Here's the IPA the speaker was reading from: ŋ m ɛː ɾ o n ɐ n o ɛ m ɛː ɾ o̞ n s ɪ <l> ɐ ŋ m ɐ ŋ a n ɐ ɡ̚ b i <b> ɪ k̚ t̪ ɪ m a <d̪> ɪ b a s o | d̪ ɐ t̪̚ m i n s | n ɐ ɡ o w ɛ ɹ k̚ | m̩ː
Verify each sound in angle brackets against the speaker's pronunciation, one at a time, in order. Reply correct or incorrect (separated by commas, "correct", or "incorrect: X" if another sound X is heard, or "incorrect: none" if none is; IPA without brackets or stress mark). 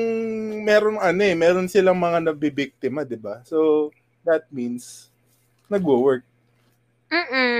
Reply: correct, correct, correct